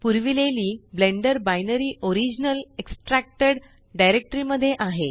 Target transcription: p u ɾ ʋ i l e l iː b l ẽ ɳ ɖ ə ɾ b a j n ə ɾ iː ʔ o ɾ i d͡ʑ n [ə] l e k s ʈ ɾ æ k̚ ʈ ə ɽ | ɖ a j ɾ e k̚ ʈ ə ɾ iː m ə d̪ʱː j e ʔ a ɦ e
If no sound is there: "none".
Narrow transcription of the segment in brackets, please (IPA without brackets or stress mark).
ə